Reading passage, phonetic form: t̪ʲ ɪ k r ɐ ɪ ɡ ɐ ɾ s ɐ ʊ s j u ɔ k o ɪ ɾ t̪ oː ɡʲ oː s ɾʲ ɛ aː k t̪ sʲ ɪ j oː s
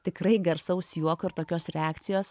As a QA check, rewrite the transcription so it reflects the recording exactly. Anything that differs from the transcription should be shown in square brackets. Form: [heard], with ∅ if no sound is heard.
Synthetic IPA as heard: t̪ʲ ɪ k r ɐ ɪ ɡ ɐ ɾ s ɐ ʊ s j u ɔ k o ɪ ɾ t̪ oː [kʲ] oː s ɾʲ ɛ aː k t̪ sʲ ɪ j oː s